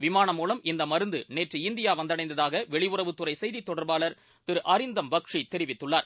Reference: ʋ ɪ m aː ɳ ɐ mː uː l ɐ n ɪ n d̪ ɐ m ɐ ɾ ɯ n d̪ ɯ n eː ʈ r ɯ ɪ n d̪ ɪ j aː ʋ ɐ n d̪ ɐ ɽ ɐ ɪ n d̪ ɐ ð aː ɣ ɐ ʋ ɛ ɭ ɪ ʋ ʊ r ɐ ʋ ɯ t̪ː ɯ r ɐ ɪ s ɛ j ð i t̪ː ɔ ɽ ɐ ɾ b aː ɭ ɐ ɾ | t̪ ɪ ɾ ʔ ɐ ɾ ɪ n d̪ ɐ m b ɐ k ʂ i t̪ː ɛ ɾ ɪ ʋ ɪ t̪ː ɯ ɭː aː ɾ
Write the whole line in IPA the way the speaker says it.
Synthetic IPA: ʋ ɪ m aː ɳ ɐ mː uː l ɐ m ɪ n d̪ ɐ m ɐ ɾ ɯ n d̪ ɯ n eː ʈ r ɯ ɪ n d̪ ɪ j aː ʋ ɐ n d̪ ɐ ɽ ɐ ɪ n d̪ ɐ ð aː ɣ ɐ ʋ ɛ ɭ ɪ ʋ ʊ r ɐ ʋ ɯ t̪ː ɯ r ɐ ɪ s ɛ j ð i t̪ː ɔ ɽ ɐ ɾ b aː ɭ ɐ ɾ | t̪ ɪ ɾ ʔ ɐ ɾ ɪ n d̪ ɐ m b ɐ k ʂ i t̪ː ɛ ɾ ɪ ʋ ɪ t̪ː ɯ ɭː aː ɾ